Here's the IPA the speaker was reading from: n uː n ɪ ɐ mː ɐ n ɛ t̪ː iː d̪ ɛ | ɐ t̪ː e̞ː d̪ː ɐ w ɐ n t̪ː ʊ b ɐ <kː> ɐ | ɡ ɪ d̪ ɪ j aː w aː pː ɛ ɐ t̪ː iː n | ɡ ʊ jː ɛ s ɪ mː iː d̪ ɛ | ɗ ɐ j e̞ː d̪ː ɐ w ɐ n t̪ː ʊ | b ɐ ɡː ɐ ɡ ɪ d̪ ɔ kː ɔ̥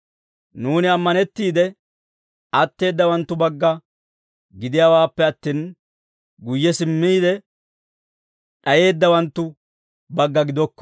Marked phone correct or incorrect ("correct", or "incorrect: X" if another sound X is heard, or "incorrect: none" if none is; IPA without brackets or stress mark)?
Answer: incorrect: ɡː